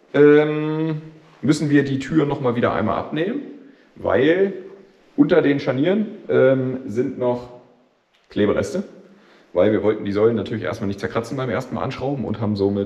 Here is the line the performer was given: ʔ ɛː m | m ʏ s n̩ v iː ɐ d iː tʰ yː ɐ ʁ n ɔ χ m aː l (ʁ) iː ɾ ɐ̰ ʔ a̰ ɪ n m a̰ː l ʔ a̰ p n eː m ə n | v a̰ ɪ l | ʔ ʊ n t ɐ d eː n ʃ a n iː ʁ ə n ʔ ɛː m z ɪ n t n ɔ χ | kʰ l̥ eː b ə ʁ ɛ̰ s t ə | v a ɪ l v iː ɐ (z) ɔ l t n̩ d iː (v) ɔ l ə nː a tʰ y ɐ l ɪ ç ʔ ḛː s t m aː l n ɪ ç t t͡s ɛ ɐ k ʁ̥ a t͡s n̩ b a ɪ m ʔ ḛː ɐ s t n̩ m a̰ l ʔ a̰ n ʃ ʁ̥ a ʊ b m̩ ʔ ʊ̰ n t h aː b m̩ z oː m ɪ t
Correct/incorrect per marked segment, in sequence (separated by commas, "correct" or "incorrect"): incorrect, incorrect, incorrect